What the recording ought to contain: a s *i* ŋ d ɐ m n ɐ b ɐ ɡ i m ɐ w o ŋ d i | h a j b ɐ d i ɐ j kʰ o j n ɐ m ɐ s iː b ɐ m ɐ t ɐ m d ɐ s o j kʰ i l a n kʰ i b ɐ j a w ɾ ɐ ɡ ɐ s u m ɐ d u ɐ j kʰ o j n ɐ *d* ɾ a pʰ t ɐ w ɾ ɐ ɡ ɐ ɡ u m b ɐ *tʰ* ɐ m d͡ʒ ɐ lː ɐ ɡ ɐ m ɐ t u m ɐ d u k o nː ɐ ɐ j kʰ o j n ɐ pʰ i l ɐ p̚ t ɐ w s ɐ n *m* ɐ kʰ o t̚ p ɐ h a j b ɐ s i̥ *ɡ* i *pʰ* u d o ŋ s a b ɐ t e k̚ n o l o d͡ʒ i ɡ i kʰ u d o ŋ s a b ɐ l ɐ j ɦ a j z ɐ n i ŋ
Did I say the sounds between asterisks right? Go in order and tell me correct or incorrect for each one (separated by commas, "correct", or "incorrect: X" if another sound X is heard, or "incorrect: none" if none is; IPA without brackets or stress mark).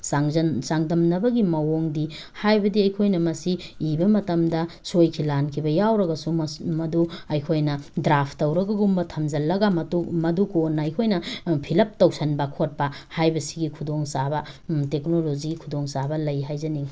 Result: incorrect: a, correct, correct, incorrect: b, correct, incorrect: kʰ